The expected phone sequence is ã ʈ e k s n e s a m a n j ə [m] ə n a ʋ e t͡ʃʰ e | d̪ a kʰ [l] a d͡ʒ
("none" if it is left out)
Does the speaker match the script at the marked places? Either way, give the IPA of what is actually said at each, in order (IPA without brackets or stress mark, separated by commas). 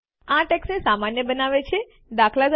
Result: b, l